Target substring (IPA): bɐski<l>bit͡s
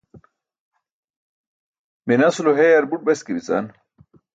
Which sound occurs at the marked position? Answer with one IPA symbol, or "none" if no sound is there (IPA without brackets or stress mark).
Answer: none